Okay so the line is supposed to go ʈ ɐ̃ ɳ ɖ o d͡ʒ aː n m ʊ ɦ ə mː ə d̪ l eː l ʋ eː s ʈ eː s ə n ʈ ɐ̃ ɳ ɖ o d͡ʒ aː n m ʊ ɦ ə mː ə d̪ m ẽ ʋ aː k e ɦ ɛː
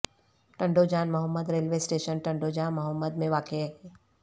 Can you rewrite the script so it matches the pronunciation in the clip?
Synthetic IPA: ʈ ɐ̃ ɳ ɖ o d͡ʒ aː n m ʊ ɦ ə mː ə d̪ ɾ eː l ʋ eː s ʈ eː ʃ ə n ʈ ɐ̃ ɳ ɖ o d͡ʒ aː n m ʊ ɦ ə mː ə d̪ m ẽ ʋ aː k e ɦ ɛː